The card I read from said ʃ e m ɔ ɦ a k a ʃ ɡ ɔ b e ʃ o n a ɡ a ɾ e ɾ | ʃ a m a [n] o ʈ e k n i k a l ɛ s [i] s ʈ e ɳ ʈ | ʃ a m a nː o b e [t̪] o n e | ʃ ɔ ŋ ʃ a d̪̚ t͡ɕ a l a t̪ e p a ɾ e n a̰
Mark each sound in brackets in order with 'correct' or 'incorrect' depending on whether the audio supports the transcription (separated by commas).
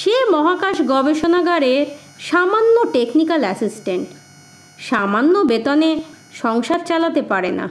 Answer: incorrect, correct, correct